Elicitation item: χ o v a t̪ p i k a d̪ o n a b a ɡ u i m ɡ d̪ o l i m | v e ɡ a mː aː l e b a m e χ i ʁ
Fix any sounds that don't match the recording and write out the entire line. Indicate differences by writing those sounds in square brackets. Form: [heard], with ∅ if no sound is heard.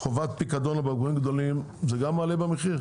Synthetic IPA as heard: χ o v a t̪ p i k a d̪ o n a b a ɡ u i m ɡ d̪ o l i m | [z] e ɡ a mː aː l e b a m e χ i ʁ

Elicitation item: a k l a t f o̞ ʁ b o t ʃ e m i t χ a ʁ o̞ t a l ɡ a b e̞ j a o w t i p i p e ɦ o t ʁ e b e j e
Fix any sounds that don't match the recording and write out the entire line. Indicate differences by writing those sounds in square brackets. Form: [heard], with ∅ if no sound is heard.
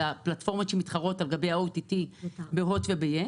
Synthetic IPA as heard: a [p] l a t f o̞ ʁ [m] o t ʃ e m i t χ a ʁ o̞ t a l ɡ a b e̞ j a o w t i [t] i [b] e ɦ o t [v] e b e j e

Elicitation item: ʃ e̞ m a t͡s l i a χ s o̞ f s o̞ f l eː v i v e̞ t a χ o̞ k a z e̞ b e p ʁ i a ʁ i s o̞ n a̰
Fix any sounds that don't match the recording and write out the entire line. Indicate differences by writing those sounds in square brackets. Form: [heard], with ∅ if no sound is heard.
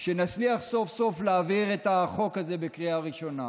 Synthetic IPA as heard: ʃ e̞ [n] a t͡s l i a χ s o̞ f s o̞ f l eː v i [ʁ] e̞ t a χ o̞ k a z e̞ b e [k] ʁ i a ʁ i [ʃ] o̞ n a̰

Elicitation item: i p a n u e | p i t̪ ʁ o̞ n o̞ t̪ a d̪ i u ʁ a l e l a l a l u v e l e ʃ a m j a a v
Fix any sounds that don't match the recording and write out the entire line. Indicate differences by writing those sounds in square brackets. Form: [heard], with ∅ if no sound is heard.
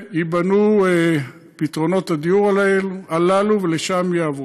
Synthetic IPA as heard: i [b] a n u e | p i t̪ ʁ o̞ n o̞ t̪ a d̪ i u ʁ a l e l a l a l u v e l e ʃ a m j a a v

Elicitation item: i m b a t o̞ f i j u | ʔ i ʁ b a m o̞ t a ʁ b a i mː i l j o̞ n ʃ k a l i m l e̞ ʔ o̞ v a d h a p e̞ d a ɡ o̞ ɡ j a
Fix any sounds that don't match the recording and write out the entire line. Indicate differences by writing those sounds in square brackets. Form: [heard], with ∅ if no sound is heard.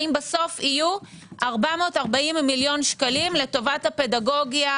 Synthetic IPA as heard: i m b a [s] o̞ f i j u | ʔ [a] ʁ b a m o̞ t a ʁ b a i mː i l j o̞ n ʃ k a l i m l e̞ [t] o̞ v a [t] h a p e̞ d a ɡ o̞ ɡ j a

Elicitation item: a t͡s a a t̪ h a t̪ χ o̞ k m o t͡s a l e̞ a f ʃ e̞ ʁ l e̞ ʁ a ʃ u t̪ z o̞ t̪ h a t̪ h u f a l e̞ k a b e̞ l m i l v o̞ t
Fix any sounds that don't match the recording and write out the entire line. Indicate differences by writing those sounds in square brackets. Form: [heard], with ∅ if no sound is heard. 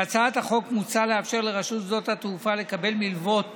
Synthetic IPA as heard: a t͡s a a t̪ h a [∅] χ o̞ k m [u] t͡s a l e̞ a f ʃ e̞ ʁ l e̞ ʁ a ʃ u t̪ z o̞ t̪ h a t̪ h u f a l e̞ k a b e̞ l m i l v o̞ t

